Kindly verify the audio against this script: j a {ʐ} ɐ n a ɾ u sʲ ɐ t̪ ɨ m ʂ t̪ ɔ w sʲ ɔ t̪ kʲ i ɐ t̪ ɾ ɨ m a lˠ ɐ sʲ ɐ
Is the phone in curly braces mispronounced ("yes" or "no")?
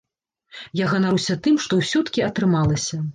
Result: yes